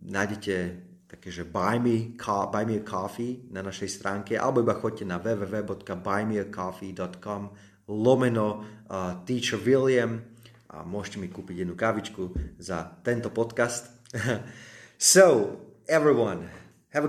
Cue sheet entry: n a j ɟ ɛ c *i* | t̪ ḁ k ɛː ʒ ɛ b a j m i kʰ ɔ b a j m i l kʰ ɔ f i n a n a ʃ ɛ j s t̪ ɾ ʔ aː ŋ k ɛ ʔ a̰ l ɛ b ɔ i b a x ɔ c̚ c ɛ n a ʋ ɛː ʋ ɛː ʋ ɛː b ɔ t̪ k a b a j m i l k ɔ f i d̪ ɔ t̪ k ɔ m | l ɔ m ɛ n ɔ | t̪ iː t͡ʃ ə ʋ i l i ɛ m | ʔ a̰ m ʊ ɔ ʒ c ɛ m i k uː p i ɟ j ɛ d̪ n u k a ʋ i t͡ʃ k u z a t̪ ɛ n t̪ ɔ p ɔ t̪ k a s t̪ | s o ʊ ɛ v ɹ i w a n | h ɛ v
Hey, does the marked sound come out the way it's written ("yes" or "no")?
no